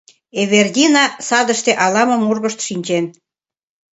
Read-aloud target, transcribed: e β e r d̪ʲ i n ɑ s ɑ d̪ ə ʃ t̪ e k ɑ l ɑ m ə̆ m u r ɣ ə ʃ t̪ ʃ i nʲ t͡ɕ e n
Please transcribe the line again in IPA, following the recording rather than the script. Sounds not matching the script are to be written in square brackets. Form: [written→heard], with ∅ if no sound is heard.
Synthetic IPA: e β e r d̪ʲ i n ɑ s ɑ d̪ ə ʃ t̪ e [k→ʔ] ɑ l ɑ m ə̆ m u r ɣ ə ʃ t̪ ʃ i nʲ t͡ɕ e n